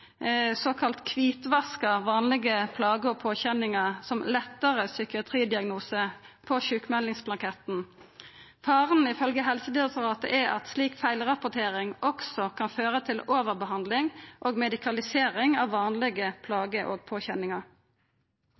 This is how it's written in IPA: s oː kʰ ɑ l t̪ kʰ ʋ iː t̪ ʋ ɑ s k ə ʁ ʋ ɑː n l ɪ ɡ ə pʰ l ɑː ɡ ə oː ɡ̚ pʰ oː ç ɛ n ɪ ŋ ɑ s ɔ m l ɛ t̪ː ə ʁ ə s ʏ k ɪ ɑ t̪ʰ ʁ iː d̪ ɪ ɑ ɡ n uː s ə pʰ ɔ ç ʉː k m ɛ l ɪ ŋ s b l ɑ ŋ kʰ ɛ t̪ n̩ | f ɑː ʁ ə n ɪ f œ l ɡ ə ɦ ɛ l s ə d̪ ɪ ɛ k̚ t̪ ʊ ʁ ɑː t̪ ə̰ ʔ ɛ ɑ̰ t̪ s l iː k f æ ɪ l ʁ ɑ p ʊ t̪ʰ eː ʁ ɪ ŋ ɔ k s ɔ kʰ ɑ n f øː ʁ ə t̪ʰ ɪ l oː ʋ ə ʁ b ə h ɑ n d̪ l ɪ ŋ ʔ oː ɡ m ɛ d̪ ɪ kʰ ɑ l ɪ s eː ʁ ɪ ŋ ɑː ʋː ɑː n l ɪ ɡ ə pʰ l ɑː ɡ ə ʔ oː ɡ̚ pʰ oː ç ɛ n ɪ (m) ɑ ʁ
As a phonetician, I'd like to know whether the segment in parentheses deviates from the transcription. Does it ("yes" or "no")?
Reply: yes